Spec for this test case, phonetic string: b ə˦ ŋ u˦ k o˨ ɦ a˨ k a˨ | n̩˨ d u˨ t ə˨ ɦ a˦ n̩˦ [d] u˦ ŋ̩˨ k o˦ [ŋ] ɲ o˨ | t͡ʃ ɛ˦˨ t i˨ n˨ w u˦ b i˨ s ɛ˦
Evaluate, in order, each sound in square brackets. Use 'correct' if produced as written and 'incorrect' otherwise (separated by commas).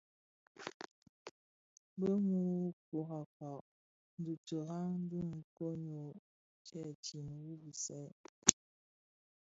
correct, incorrect